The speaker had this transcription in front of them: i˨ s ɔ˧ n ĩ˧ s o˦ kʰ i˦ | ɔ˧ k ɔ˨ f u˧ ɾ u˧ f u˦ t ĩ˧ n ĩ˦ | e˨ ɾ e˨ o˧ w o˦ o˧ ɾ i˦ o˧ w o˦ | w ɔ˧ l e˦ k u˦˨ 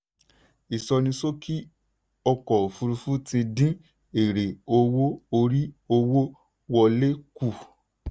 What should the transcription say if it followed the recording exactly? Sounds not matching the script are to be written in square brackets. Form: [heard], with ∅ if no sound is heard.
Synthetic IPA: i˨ s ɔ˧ n ĩ˧ s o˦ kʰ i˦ | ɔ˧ k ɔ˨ f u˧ ɾ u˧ f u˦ t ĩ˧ [d] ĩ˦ | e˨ ɾ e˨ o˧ w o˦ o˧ ɾ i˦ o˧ w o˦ | w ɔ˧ l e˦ k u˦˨

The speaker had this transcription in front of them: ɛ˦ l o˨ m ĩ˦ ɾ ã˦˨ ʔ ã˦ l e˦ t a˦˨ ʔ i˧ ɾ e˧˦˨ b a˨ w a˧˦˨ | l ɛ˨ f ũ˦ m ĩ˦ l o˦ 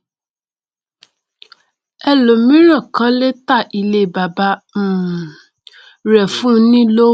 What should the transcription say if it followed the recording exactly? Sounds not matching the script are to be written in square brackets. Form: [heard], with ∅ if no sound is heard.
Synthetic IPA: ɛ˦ l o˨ m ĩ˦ ɾ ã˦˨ [k] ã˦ l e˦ t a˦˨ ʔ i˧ [l] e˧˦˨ b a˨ [b] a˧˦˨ | [ɾ] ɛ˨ f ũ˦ [n] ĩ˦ l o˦

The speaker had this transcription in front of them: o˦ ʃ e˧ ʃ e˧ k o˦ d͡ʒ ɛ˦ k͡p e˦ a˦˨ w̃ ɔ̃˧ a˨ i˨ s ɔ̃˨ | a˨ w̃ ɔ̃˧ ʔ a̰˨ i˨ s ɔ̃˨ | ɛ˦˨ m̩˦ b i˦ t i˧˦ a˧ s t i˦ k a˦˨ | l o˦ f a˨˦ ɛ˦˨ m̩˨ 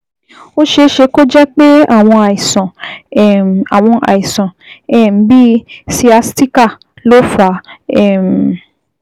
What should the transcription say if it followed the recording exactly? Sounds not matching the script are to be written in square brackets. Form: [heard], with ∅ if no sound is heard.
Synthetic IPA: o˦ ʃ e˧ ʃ e˧ k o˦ d͡ʒ ɛ˦ k͡p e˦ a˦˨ w̃ ɔ̃˧ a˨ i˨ s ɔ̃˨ | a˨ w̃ ɔ̃˧ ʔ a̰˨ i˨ s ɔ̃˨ | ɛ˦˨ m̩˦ b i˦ [s] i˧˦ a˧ s t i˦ k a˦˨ | l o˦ f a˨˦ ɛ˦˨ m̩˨

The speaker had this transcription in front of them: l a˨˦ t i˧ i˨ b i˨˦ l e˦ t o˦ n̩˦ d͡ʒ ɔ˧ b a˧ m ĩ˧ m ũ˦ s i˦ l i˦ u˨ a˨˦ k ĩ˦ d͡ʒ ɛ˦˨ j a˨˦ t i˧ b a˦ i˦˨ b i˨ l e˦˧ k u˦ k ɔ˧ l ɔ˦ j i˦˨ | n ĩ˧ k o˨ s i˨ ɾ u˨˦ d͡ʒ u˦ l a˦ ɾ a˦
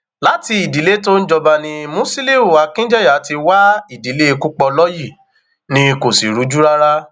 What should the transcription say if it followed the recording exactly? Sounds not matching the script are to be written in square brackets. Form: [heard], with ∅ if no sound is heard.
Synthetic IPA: l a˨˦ t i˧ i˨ [d] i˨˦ l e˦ t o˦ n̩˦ d͡ʒ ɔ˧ b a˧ [n] ĩ˧ m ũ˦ s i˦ l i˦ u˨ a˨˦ k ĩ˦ d͡ʒ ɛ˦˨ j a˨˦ t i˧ [w] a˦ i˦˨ [d] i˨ l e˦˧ k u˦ [k͡p] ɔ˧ l ɔ˦ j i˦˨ | n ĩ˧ k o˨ s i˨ ɾ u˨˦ d͡ʒ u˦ [ɾ] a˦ ɾ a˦

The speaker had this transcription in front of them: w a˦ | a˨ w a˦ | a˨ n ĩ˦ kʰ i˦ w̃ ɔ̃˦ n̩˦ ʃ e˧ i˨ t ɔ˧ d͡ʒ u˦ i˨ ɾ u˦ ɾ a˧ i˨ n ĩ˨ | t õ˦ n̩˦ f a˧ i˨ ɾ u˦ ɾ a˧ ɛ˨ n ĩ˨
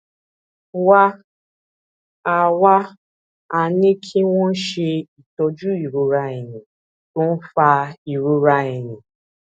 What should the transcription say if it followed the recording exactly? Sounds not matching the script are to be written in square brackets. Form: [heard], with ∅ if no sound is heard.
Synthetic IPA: w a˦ | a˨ w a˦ | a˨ n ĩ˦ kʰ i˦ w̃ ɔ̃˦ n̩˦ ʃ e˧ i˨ t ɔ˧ d͡ʒ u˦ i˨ ɾ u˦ ɾ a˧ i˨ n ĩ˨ | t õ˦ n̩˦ f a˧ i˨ ɾ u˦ ɾ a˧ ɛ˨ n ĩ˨

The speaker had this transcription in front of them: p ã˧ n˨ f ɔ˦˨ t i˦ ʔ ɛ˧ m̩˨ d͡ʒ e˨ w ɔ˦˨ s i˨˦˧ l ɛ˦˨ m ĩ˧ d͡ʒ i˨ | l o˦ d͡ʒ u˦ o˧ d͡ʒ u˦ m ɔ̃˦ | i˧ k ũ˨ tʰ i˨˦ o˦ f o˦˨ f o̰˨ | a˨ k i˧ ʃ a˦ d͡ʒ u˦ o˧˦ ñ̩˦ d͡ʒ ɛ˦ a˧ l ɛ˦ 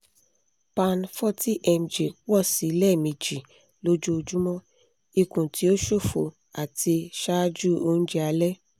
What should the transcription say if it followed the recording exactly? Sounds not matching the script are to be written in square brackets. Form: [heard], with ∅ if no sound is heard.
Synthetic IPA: p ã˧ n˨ f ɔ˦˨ t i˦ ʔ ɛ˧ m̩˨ d͡ʒ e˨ w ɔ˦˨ s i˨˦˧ l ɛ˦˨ m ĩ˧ d͡ʒ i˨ | l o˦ d͡ʒ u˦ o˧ d͡ʒ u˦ m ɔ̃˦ | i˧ k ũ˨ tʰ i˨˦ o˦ [ʃ] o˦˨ f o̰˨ | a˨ [t] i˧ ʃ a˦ d͡ʒ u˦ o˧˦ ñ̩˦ d͡ʒ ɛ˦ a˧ l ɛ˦

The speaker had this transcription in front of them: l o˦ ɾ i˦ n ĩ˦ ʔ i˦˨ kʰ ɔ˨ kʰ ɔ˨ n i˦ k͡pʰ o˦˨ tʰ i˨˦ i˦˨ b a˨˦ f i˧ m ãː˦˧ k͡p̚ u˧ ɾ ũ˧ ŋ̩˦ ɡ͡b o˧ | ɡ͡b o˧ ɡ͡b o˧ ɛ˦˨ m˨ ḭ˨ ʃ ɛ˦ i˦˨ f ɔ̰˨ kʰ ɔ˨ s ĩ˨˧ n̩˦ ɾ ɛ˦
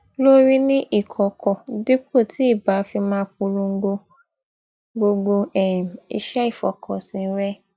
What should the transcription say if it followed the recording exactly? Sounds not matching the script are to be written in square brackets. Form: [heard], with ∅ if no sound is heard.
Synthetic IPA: l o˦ ɾ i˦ n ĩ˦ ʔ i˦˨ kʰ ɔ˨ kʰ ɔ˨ [d] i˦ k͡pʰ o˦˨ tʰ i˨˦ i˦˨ b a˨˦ f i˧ m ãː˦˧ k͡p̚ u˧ ɾ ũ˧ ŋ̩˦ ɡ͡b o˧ | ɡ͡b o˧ ɡ͡b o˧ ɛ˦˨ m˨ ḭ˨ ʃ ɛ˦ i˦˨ f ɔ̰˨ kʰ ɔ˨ s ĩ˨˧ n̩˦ ɾ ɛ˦

